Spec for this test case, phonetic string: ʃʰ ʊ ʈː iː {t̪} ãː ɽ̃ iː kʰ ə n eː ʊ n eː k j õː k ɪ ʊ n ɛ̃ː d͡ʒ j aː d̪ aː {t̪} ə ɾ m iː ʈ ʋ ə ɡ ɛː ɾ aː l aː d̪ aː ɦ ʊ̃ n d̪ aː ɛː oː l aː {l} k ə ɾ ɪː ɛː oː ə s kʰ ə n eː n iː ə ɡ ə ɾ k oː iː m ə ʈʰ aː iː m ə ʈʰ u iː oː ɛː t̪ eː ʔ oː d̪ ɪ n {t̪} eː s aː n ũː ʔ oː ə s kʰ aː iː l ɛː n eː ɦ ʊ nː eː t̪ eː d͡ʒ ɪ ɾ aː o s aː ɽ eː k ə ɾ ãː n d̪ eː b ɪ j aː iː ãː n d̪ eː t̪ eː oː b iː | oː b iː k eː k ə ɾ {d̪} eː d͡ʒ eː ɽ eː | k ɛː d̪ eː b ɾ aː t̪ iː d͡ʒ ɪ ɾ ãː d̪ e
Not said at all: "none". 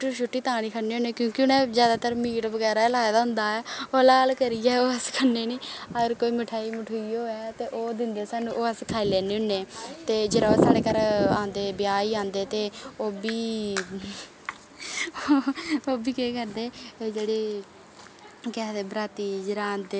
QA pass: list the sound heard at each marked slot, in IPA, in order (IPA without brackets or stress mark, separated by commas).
t̪, t̪, l, d̪, d̪